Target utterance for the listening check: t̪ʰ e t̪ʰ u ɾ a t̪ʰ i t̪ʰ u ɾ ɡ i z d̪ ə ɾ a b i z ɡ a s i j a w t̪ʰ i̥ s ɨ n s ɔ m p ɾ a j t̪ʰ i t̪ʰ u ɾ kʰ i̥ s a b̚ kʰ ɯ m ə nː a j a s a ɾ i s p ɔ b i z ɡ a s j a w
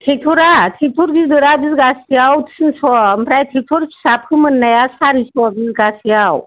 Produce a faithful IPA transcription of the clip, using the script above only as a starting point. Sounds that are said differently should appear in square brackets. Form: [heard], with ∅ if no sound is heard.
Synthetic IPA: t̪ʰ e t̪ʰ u ɾ a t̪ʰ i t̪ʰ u ɾ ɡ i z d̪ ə ɾ a b i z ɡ a s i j a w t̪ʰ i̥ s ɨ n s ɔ m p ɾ a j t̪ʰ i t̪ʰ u ɾ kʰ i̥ s a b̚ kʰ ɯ m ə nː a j a s a ɾ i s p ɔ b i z ɡ a s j a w